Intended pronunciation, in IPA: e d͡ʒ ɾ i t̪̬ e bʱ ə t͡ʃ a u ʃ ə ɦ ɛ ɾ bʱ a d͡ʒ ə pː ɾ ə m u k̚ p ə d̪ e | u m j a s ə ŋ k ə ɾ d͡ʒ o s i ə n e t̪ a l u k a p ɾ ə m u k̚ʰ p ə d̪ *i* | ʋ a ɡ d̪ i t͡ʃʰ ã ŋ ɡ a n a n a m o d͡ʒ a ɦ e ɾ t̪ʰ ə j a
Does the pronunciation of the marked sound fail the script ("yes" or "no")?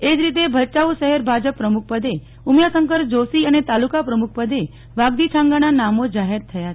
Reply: yes